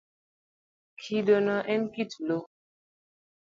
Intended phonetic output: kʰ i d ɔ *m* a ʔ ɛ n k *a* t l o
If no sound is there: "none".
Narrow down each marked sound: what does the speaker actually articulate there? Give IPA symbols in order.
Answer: n, i

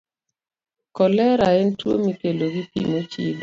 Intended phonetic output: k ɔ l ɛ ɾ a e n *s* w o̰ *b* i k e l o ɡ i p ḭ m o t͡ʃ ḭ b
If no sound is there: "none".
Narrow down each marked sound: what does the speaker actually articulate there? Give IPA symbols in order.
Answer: t, m

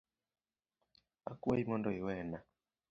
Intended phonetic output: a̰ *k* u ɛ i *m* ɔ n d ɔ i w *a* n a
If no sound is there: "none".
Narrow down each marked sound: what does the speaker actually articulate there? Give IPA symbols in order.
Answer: k, m, ɛ

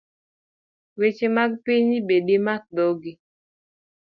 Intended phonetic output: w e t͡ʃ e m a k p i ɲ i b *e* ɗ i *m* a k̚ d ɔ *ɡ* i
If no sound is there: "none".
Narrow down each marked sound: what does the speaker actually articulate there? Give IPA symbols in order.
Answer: e, m, ɡ

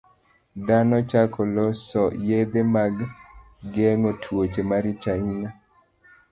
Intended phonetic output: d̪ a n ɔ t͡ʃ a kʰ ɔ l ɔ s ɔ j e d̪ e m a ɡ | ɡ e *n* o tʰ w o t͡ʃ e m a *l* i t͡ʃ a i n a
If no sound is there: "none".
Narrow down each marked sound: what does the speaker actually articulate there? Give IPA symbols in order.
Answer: ŋ, ɾ

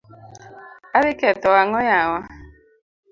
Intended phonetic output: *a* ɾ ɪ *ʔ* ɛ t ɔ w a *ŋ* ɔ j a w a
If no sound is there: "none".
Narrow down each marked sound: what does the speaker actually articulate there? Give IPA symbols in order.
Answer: a, k, ŋ

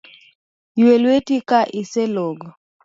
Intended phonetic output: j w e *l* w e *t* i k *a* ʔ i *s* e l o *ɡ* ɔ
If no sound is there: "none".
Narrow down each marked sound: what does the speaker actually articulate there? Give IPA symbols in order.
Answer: l, t, a, s, ɡ

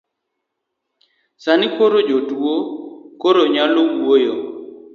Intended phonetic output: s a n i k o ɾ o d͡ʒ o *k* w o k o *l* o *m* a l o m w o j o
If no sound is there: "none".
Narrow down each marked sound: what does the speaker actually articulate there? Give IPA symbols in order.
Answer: t, ɾ, ɲ

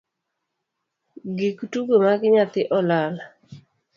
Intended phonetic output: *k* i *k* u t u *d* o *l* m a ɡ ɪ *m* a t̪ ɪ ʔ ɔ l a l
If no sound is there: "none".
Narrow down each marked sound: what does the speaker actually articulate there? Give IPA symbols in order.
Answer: ɡ, k, ɡ, none, ɲ

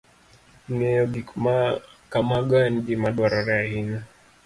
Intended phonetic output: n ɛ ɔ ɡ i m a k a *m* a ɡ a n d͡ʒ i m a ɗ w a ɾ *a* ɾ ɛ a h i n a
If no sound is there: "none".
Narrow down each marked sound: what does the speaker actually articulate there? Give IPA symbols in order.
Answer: m, a

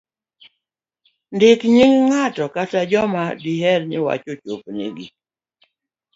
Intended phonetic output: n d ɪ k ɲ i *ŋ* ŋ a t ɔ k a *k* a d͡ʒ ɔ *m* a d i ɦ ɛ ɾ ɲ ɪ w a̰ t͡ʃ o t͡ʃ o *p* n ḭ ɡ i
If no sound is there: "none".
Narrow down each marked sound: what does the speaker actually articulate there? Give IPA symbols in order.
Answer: ŋ, t, m, p

